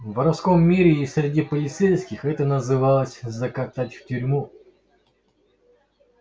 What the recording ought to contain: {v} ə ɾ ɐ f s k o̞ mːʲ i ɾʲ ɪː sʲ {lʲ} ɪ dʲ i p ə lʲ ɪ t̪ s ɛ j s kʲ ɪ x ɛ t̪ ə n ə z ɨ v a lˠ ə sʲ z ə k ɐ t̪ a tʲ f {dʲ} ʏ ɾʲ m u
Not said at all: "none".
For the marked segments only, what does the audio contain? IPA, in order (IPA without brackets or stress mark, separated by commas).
v, ɾʲ, tʲ